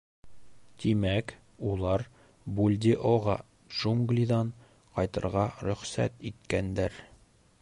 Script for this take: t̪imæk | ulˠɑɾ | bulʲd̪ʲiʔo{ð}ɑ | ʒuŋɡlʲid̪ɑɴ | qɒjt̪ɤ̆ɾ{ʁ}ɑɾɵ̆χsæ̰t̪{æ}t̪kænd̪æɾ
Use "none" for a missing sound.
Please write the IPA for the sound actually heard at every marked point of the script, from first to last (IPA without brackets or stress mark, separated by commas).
ʁ, ʁ, i